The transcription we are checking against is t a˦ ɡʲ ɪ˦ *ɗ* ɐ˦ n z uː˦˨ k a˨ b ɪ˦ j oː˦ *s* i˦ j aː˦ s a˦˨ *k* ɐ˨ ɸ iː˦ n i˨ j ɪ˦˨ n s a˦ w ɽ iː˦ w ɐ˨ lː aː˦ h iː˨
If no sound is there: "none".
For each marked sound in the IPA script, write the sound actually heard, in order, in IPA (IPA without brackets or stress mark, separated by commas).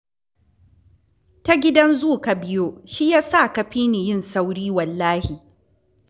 d, ʃ, k